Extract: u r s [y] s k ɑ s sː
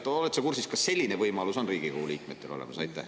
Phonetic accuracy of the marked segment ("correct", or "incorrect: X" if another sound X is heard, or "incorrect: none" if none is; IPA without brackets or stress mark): incorrect: i